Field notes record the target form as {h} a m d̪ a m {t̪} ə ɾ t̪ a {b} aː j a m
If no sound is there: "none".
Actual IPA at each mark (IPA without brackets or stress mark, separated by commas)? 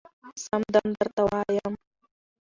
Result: s, d̪, w